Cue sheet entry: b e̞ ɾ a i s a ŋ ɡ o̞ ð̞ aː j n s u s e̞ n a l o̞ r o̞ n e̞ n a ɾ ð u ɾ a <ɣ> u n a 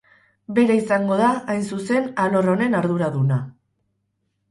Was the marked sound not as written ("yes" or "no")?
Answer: yes